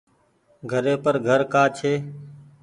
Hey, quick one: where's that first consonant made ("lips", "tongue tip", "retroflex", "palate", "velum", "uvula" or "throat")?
velum